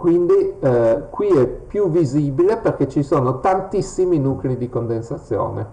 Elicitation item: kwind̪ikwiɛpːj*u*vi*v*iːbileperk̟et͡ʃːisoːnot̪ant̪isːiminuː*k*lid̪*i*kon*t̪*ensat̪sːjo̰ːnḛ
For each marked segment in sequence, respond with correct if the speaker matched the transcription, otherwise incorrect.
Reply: correct, incorrect: z, correct, correct, incorrect: d̪

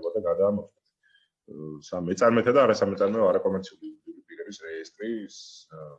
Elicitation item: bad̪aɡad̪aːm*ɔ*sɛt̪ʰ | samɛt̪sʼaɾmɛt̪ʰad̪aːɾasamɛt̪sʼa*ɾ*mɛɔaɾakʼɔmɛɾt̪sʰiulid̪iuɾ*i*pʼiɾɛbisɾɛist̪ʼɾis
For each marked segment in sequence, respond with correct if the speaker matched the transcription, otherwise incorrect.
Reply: correct, correct, correct

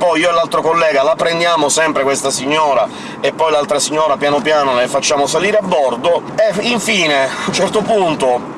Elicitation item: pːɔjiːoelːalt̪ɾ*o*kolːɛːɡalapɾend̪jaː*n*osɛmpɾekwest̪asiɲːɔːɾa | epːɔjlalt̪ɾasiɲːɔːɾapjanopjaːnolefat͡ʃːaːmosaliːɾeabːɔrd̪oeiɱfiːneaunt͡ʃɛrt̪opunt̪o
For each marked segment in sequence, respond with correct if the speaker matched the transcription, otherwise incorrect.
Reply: correct, incorrect: m

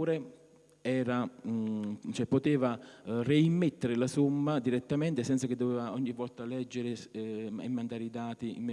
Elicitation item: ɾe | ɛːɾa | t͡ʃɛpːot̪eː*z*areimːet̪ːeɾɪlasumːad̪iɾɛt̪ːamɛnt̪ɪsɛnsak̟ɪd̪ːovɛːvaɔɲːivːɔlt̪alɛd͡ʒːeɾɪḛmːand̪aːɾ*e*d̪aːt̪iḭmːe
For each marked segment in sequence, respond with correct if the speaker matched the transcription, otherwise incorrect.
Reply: incorrect: v, incorrect: i

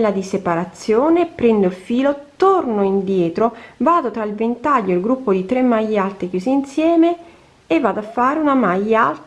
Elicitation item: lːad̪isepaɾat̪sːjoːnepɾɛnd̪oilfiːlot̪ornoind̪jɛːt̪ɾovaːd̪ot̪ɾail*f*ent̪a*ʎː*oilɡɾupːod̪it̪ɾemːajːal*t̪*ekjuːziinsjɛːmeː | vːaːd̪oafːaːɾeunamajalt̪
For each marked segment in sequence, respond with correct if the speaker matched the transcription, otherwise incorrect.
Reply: incorrect: v, correct, correct

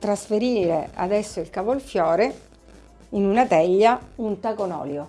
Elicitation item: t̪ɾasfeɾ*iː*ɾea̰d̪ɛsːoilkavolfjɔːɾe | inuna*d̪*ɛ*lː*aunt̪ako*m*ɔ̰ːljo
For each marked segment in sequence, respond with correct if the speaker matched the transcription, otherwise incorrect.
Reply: correct, incorrect: t̪, incorrect: ʎː, incorrect: n

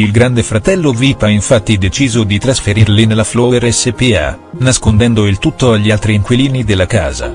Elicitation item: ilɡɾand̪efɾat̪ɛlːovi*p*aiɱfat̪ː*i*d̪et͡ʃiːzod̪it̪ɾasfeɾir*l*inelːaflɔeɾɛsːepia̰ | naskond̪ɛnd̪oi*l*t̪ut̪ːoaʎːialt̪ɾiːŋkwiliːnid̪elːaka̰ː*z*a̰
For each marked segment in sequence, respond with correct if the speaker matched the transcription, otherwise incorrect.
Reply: correct, correct, correct, correct, correct

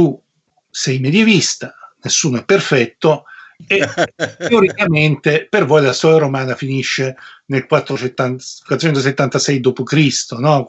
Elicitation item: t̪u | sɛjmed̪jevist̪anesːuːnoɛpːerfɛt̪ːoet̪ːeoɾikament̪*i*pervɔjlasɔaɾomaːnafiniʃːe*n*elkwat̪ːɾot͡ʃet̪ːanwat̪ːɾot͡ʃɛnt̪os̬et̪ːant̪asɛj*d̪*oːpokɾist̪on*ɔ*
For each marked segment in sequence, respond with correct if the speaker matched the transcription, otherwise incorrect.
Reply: incorrect: e, correct, correct, correct

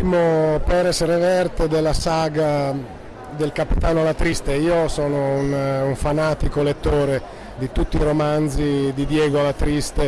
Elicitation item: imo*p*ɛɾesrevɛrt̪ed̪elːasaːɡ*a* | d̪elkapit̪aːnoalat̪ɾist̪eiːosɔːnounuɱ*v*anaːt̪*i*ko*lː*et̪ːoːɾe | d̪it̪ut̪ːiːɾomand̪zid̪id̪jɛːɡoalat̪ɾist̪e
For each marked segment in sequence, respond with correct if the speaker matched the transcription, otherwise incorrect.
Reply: correct, correct, incorrect: f, correct, incorrect: l

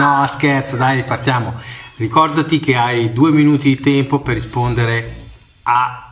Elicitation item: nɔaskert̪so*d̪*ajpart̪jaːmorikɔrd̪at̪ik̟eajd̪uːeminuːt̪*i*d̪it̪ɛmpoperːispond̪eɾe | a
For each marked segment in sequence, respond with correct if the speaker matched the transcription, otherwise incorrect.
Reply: correct, correct

